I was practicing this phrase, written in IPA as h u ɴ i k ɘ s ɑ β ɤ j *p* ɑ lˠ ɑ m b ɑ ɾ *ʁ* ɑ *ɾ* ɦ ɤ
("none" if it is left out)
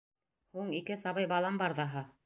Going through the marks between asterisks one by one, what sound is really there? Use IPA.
b, ð, none

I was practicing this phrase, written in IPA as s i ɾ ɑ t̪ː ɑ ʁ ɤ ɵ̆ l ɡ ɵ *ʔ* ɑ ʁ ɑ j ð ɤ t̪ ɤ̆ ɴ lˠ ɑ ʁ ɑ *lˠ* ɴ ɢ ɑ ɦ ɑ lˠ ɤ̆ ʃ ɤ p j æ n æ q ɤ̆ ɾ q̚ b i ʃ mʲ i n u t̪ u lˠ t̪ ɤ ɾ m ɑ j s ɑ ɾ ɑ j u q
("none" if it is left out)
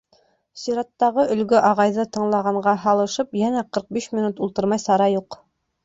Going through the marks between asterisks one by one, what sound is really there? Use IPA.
ʔ, none

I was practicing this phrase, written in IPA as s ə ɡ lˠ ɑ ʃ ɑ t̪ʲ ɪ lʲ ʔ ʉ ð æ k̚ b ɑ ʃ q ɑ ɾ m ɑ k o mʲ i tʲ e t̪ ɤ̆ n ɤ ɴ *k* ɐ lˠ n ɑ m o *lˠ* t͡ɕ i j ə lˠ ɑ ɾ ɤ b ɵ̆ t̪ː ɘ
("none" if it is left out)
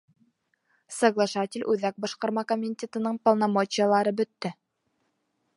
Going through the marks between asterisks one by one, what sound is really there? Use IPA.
p, none

